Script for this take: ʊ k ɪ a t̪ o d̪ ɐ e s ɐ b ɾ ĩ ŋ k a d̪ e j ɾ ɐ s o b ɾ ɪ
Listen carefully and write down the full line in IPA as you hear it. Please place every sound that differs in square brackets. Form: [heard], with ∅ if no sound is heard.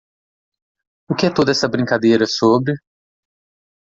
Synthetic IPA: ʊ k ɪ [ɛ] t̪ o d̪ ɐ [ɛ] s ɐ b ɾ ĩ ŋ k a d̪ e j ɾ ɐ s o b ɾ ɪ